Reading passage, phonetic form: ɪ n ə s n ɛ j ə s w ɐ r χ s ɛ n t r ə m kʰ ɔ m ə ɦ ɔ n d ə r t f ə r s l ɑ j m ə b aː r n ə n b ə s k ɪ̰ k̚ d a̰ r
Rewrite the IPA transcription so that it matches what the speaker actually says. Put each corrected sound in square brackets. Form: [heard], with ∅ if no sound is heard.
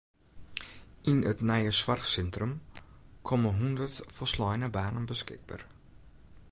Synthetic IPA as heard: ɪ n ə [t] n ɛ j ə s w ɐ r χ s ɛ n t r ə m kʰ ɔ m ə ɦ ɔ n d ə r t f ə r s l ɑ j [n] ə b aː [∅] n ə n b ə s k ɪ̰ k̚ [b] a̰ r